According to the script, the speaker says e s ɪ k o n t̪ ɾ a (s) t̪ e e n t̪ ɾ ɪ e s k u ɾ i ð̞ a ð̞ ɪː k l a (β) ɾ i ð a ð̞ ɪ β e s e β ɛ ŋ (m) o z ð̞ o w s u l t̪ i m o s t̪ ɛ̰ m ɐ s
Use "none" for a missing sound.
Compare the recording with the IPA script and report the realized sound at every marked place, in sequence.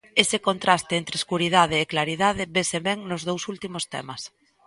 s, none, n

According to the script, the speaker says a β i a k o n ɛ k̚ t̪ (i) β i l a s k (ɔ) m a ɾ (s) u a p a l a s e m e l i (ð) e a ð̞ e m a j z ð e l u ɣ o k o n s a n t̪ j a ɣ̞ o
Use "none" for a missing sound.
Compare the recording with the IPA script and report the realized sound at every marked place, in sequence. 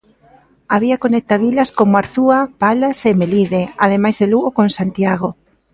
a, o, θ, ð

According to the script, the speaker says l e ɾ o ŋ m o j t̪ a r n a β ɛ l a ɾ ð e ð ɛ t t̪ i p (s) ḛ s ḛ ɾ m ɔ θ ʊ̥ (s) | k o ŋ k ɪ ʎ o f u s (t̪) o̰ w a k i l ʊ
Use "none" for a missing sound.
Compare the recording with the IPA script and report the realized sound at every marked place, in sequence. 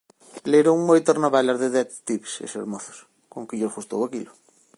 s, s, t̪

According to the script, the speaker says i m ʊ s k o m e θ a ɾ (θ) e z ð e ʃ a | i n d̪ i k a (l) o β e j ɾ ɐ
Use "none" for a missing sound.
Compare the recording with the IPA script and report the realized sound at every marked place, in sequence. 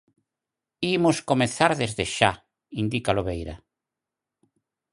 ð, l

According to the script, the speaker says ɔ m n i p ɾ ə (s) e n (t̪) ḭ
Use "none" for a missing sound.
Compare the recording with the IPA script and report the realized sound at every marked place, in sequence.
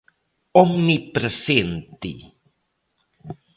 s, t̪

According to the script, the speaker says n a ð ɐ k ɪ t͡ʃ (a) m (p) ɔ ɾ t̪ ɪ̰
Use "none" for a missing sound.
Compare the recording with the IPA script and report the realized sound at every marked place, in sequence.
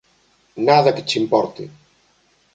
i, p

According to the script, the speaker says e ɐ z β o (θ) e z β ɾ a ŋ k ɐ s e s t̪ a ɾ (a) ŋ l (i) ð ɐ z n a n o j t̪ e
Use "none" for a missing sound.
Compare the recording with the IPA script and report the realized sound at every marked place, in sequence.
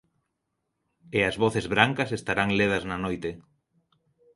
θ, a, e

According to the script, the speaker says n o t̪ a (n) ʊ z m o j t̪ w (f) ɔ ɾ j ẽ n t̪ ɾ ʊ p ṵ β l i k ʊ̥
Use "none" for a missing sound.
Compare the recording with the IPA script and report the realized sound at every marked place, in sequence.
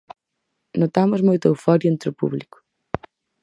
m, f

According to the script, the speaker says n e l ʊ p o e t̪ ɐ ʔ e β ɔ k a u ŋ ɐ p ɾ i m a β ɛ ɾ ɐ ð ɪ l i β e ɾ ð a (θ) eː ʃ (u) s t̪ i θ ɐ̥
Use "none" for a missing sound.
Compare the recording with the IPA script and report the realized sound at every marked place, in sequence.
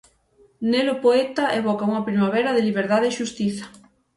ð, u

